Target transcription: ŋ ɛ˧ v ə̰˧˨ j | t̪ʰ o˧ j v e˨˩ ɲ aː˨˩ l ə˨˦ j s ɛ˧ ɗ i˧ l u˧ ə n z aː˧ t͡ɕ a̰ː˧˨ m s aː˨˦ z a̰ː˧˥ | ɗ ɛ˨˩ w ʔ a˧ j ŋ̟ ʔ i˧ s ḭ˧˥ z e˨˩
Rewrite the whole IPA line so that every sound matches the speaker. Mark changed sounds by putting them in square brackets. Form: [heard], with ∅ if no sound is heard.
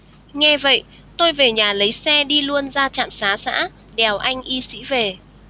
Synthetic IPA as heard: ŋ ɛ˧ v ə̰˧˨ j | [t̪] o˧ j v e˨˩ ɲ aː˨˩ l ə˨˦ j s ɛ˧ ɗ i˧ l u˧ ə n z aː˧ t͡ɕ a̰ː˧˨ m s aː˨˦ [s] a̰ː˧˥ | ɗ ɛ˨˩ w ʔ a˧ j ŋ̟ ʔ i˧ s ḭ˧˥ [v] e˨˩